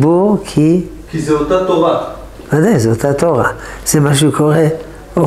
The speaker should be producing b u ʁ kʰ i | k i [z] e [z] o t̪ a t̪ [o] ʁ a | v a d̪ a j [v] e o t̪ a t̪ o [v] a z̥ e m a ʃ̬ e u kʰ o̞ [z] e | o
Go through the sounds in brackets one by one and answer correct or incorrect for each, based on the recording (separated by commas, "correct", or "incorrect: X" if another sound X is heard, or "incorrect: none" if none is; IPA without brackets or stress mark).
correct, incorrect: none, correct, incorrect: z, incorrect: ʁ, incorrect: ʁ